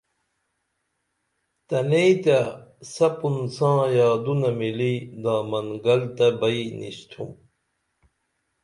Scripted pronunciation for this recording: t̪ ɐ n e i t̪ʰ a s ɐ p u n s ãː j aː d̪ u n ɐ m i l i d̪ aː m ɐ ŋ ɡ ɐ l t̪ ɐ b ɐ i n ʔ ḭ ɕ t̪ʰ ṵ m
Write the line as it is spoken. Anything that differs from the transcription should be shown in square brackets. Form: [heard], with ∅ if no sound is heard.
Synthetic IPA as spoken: t̪ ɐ n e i [t̪] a s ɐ p u n s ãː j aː d̪ u n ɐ m i l i d̪ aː m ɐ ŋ ɡ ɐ l t̪ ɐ b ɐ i n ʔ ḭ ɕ t̪ʰ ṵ m